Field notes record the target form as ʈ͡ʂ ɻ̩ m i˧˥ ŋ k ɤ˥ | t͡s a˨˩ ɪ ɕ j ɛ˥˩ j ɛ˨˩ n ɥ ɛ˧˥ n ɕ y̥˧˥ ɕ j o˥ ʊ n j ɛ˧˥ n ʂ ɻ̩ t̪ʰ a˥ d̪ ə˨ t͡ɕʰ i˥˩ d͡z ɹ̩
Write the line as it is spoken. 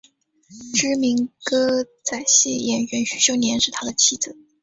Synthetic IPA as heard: ʈ͡ʂ ɻ̩ m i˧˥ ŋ k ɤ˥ | t͡s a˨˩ ɪ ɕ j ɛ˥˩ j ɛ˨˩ n ɥ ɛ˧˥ n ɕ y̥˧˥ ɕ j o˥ ʊ n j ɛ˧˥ n ʂ ɻ̩ t̪ʰ a˥ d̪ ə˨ t͡ɕʰ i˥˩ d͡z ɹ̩